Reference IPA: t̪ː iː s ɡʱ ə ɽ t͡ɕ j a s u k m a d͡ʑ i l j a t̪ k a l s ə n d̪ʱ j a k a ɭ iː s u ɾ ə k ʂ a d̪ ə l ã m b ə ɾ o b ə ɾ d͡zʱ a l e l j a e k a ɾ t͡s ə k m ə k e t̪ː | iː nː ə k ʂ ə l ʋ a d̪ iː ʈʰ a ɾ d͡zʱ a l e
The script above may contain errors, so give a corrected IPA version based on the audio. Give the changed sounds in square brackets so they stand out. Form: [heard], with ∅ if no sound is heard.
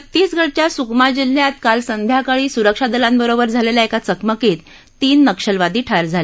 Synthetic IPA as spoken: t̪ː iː s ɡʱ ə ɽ t͡ɕ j a s u k m a d͡ʑ i l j a t̪ k a l s ə n d̪ʱ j a k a ɭ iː s u ɾ ə k ʂ a d̪ ə l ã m b ə ɾ o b ə ɾ d͡zʱ a l e l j a e k a [∅] t͡s ə k m ə k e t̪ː | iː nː ə k ʂ ə l ʋ a d̪ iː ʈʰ a ɾ d͡zʱ a l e